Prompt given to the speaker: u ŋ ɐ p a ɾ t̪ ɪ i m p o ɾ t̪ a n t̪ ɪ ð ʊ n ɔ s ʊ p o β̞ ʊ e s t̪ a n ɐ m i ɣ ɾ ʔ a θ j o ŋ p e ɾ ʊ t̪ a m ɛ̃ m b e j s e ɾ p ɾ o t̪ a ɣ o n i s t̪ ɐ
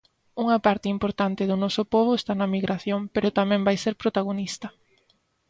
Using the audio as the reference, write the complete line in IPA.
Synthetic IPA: u ŋ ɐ p a ɾ t̪ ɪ i m p o ɾ t̪ a n t̪ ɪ ð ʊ n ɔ s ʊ p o β̞ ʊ e s t̪ a n ɐ m i ɣ ɾ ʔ a θ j o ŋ p e ɾ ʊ t̪ a m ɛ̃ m b a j s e ɾ p ɾ o t̪ a ɣ o n i s t̪ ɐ